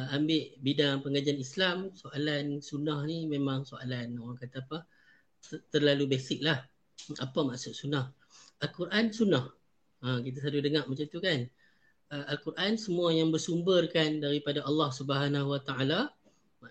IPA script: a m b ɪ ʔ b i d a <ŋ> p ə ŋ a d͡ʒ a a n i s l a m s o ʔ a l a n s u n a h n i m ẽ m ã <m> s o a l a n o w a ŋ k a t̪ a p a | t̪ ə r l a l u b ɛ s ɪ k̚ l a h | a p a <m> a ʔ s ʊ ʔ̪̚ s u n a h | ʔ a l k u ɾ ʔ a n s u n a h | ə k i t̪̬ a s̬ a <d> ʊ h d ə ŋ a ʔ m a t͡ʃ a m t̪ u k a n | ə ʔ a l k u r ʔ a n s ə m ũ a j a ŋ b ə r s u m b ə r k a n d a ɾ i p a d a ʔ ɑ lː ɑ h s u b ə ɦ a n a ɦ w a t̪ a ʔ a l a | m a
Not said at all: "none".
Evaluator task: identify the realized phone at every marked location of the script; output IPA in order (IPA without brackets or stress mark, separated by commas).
ŋ, ŋ, m, d